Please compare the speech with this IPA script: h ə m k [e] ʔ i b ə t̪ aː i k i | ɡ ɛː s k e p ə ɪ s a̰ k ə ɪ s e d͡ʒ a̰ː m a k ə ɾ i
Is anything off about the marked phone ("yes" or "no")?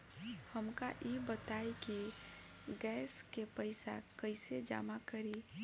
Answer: yes